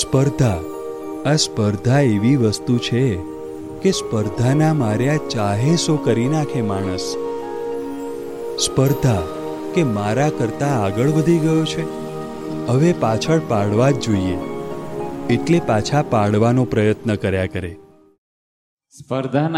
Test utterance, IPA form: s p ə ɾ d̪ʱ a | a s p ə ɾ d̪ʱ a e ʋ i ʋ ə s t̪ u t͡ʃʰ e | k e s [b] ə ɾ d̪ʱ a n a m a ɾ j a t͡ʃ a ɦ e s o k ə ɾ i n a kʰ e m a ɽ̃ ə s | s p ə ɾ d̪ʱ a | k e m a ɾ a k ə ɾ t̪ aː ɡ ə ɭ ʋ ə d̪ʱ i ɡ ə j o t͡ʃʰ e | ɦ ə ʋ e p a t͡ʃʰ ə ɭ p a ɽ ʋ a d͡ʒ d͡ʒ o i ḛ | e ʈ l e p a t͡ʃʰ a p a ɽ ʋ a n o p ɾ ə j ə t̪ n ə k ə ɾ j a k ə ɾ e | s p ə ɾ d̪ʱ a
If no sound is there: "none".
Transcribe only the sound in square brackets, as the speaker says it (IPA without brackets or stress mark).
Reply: p